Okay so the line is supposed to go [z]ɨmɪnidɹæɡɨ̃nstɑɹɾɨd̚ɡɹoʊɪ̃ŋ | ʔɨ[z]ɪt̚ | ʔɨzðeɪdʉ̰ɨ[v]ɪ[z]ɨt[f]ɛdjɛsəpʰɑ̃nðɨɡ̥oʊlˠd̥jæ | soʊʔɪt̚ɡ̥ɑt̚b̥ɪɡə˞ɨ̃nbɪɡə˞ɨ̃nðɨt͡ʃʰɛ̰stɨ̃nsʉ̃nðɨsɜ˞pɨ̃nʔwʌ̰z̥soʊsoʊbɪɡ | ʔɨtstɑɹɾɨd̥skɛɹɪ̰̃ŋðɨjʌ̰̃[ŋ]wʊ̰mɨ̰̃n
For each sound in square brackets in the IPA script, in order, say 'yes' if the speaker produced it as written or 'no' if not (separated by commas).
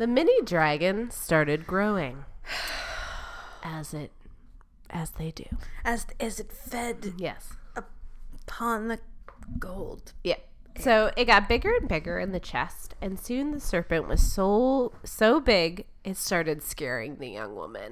no, yes, no, yes, yes, yes